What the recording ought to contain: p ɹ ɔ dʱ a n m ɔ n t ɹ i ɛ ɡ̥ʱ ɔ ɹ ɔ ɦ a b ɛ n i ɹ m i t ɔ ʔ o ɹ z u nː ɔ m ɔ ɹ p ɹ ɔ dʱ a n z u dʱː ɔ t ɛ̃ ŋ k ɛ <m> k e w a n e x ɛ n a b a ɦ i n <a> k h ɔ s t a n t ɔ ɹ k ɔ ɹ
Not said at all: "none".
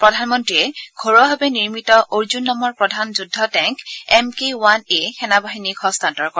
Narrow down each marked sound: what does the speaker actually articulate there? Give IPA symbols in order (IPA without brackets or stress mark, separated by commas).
m, i